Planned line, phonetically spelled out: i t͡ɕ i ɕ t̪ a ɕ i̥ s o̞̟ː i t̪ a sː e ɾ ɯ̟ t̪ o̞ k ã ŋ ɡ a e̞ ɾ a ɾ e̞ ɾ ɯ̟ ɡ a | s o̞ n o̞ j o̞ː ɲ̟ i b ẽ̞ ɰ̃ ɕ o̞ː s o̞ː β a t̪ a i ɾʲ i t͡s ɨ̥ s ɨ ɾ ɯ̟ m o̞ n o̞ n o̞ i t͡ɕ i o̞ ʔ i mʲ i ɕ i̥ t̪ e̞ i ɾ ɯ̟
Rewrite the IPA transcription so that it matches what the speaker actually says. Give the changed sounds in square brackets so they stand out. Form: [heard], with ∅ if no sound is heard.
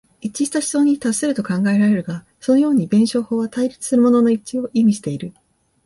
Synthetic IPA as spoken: i t͡ɕ i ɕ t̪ a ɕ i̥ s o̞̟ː i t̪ a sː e ɾ ɯ̟ t̪ o̞ k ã ŋ ɡ a e̞ ɾ a ɾ e̞ ɾ ɯ̟ ɡ a | s o̞ n o̞ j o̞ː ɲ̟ i b ẽ̞ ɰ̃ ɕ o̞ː [h] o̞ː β a t̪ a i ɾʲ i t͡s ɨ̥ s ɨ ɾ ɯ̟ m o̞ n o̞ n o̞ i t͡ɕ i o̞ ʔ i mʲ i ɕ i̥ t̪ e̞ i ɾ ɯ̟